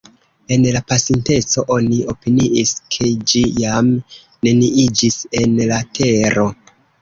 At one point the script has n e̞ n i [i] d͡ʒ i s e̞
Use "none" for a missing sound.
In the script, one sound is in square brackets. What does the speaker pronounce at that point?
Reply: i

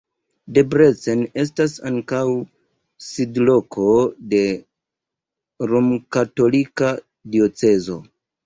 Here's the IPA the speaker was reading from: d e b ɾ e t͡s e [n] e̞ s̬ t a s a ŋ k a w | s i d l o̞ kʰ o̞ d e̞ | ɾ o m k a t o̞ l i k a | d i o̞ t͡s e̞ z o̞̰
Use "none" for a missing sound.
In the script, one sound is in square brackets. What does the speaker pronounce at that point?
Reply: n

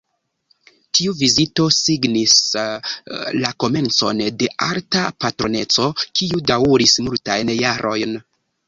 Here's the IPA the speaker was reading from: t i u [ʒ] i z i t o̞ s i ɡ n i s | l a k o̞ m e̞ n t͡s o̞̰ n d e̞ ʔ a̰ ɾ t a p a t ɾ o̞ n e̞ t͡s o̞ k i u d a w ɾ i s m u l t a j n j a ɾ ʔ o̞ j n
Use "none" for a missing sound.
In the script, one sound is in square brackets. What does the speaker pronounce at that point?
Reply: v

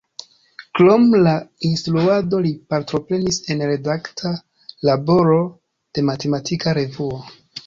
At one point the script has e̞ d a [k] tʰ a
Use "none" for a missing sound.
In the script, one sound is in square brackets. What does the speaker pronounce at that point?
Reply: k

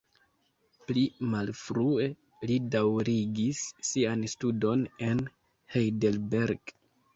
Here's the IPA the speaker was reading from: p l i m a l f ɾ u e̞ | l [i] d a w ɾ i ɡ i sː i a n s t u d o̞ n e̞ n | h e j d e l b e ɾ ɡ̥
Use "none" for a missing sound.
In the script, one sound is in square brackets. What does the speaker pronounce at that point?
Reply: i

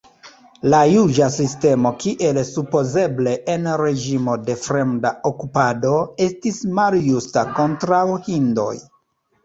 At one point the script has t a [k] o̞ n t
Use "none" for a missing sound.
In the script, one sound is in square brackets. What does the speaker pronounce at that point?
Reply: k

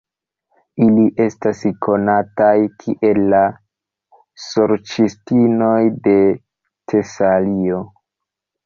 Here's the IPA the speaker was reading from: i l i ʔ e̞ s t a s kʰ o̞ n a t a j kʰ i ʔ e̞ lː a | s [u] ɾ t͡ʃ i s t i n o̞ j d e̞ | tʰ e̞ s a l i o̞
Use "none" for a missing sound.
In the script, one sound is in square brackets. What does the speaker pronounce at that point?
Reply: o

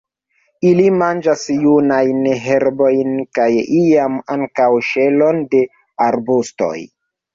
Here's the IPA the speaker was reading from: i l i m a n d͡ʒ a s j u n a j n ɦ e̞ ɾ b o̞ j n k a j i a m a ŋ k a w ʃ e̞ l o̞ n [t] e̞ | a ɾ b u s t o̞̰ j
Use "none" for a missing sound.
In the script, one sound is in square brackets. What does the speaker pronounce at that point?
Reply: d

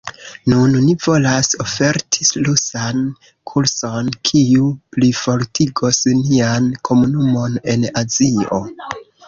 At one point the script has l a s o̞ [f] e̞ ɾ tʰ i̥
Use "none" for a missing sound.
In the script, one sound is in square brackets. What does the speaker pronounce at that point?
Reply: f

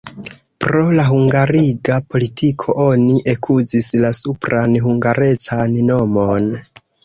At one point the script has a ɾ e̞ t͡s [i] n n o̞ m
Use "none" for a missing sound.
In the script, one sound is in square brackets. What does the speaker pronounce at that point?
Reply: a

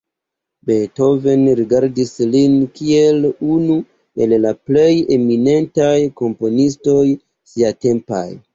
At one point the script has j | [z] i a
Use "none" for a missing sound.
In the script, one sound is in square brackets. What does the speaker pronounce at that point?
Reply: s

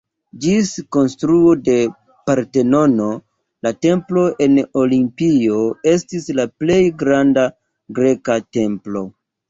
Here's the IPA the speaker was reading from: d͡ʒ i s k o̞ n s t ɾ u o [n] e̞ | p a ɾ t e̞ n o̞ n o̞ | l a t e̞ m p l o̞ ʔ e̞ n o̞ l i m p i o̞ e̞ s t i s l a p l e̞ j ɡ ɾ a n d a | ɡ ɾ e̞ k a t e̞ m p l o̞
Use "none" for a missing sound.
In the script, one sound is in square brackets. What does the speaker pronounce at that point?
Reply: d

